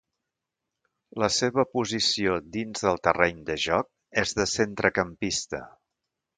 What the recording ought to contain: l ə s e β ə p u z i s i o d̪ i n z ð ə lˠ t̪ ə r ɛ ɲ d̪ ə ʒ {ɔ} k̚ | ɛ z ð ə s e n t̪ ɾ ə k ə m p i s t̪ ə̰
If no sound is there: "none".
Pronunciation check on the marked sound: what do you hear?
ɔ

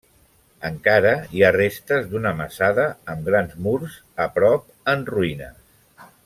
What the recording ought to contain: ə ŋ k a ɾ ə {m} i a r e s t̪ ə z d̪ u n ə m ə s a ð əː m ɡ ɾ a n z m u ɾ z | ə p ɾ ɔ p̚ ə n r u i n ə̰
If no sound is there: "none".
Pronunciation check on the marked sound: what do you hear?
none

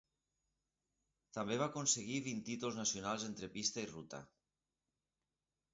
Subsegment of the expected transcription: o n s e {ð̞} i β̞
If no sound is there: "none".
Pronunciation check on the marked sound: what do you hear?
ɣ̞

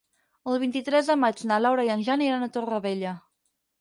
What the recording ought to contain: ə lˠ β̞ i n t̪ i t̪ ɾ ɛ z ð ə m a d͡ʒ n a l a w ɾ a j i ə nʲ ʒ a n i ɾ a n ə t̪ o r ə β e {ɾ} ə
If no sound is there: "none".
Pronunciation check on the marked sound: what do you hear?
ʎ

